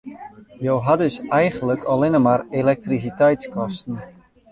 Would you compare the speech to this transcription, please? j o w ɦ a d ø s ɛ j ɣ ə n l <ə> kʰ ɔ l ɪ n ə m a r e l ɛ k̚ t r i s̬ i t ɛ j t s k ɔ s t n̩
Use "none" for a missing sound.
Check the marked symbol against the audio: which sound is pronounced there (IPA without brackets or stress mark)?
ə